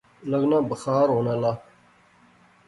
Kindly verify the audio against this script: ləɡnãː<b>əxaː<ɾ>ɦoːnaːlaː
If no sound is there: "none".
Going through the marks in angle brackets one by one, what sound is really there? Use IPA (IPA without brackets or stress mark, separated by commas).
b, ɾ